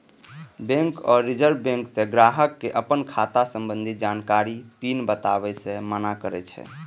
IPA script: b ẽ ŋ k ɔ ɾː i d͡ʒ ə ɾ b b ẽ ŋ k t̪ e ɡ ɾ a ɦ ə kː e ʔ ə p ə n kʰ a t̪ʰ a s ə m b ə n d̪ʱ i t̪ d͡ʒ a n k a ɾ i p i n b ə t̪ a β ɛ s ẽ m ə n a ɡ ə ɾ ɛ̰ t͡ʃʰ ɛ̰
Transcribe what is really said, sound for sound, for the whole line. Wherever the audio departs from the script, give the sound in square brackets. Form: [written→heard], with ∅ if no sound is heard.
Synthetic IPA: b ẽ ŋ k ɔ ɾː i d͡ʒ ə ɾ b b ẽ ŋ k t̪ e ɡ ɾ a ɦ ə kː e ʔ ə p ə n kʰ a [t̪ʰ→t̪] a s ə m b ə n d̪ʱ i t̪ d͡ʒ a n k a ɾ i p i n b ə t̪ a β ɛ s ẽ m ə n a [ɡ→k] ə ɾ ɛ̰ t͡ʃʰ ɛ̰